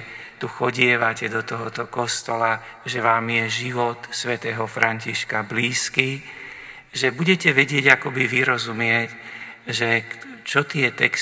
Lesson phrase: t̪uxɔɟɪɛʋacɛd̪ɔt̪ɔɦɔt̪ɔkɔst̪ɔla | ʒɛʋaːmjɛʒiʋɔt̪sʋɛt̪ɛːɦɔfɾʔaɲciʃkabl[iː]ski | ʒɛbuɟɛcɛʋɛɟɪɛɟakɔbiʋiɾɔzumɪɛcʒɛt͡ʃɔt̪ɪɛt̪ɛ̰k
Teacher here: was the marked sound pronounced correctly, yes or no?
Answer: yes